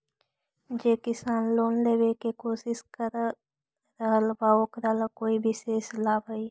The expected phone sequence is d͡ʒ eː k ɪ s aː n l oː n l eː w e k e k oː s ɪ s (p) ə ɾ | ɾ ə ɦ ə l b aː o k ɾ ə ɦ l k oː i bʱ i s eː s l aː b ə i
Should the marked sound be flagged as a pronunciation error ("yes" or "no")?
yes